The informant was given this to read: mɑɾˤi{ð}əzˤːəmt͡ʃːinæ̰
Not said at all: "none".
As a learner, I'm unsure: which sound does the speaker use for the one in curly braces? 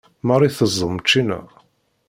θ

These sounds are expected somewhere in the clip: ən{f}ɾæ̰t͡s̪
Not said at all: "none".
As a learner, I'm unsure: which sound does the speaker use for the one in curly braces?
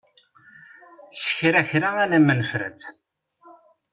f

